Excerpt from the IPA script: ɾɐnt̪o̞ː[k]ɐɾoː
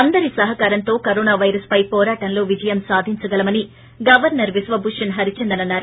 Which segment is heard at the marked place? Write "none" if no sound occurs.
k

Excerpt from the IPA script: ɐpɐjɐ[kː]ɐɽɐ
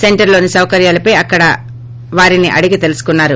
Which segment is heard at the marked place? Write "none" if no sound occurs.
kː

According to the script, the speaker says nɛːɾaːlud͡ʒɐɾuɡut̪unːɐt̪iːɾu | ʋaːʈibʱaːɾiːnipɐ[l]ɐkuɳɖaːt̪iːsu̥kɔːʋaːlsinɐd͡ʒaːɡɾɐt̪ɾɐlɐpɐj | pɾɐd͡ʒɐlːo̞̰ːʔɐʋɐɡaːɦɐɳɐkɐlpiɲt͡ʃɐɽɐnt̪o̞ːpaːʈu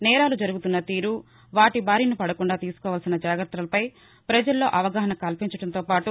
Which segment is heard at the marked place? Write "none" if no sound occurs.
ɽ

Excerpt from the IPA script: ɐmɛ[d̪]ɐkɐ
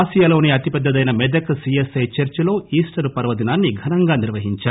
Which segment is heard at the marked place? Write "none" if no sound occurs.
d̪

